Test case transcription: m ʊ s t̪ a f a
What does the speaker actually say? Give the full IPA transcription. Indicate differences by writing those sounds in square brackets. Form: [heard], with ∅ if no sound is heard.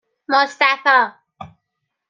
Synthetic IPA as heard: m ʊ s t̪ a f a